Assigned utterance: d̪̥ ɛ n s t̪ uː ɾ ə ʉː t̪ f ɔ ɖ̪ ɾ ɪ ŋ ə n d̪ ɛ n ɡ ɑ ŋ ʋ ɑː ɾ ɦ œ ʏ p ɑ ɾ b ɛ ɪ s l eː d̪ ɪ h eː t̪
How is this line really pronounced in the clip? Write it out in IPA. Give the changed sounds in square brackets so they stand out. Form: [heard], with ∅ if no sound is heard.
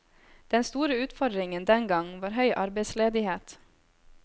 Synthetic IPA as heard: d̪̥ ɛ n s t̪ uː ɾ ə ʉː t̪ f ɔ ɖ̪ ɾ ɪ ŋ ə n d̪ ɛ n ɡ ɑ ŋ ʋ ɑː ɾ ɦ œ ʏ [ʔ] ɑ ɾ b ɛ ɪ s l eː d̪ ɪ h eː t̪